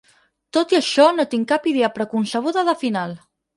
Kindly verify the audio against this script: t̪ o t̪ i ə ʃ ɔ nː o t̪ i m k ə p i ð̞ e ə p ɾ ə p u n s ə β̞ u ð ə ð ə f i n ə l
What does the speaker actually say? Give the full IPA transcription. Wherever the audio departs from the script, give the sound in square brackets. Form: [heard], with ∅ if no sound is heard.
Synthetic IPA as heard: t̪ o t̪ i ə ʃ ɔ [n] o t̪ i [ŋ] k [a] p i ð̞ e ə p ɾ ə [k] u n s ə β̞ u ð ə ð ə f i n [a] l